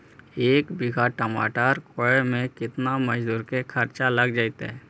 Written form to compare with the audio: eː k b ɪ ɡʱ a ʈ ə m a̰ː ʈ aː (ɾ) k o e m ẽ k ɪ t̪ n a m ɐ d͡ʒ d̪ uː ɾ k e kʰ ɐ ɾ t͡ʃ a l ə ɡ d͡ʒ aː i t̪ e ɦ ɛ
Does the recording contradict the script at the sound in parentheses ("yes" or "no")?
no